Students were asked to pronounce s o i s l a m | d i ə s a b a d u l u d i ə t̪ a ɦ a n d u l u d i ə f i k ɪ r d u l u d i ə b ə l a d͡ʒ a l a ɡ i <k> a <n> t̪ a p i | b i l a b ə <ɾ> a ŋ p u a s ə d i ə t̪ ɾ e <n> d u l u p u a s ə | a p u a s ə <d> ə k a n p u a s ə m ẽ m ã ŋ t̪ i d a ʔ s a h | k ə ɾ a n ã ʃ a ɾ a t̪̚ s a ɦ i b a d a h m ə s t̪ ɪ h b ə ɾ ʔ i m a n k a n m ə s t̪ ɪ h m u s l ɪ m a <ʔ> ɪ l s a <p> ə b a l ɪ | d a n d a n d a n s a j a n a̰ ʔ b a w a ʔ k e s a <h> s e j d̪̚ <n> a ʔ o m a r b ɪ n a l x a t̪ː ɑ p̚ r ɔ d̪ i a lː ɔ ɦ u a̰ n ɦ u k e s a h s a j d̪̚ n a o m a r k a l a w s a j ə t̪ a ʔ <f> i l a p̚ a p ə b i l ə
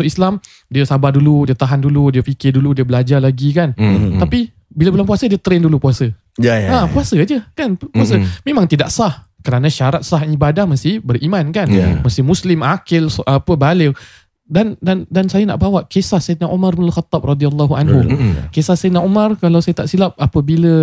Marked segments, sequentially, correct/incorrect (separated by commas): correct, correct, incorrect, correct, incorrect, incorrect, correct, correct, correct, incorrect